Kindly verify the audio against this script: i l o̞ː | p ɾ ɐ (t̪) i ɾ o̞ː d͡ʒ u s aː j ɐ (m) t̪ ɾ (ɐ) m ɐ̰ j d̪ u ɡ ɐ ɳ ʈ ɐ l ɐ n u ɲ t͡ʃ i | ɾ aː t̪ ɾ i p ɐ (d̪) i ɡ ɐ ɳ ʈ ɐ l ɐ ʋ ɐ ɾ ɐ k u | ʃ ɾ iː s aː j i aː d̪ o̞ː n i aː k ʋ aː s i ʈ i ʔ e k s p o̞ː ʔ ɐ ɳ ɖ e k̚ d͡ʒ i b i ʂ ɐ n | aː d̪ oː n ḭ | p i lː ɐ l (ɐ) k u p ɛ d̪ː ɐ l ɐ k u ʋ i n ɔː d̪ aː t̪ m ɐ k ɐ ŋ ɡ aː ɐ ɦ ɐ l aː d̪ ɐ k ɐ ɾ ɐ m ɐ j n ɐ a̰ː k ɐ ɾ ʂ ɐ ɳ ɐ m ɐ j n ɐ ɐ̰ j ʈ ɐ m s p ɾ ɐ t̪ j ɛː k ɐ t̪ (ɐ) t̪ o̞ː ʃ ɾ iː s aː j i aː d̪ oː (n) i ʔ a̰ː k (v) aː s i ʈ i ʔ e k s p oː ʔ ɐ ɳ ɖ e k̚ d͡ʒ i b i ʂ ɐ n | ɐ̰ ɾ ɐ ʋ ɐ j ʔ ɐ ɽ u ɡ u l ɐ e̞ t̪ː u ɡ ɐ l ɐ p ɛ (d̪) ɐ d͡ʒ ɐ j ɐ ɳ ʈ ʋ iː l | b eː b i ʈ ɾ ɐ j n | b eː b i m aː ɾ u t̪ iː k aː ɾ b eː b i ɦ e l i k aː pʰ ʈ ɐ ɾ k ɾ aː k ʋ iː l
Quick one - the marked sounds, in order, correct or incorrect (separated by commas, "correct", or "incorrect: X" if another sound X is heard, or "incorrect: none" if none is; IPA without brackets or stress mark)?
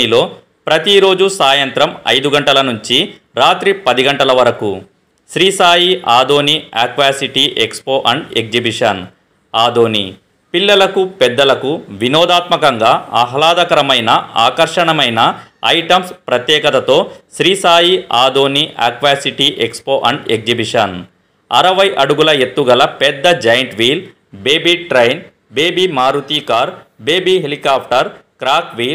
correct, incorrect: n, correct, correct, correct, correct, correct, incorrect: ʋ, incorrect: d̪ː